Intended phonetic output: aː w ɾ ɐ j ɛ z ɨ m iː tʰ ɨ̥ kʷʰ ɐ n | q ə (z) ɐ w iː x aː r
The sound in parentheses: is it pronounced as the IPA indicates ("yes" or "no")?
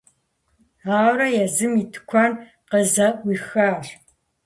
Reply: yes